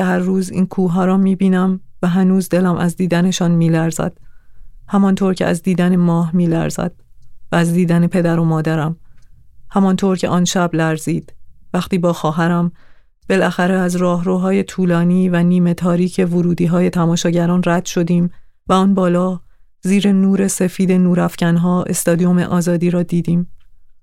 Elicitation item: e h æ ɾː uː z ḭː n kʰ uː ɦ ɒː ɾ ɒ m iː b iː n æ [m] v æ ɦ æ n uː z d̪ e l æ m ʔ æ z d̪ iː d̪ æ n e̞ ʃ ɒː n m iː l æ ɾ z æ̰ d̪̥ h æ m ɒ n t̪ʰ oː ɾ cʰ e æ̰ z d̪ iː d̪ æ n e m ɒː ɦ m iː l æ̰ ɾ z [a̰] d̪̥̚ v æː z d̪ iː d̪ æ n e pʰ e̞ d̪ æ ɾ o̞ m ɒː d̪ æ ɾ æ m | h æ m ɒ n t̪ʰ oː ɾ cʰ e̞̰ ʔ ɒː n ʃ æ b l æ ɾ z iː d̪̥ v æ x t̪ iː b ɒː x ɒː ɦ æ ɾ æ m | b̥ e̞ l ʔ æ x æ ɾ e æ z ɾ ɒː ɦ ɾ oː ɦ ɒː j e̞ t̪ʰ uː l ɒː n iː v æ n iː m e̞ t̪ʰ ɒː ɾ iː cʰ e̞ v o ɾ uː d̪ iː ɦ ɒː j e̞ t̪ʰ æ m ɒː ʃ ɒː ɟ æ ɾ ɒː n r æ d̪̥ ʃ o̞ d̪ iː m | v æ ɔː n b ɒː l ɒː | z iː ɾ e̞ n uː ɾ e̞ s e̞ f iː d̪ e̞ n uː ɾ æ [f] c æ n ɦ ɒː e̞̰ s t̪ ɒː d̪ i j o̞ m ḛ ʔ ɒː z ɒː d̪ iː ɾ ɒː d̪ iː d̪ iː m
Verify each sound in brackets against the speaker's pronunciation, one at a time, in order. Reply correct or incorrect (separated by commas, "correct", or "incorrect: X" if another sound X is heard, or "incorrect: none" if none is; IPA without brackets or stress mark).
correct, incorrect: æ̰, correct